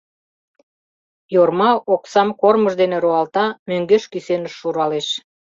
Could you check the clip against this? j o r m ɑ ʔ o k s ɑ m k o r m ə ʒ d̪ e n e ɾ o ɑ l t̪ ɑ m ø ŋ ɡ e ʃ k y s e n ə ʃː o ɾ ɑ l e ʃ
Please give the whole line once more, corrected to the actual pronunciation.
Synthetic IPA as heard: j o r m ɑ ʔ o k s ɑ m k o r m ə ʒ d̪ e n e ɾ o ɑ l t̪ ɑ m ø ŋ ɡ e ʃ k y s e n ə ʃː u ɾ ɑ l e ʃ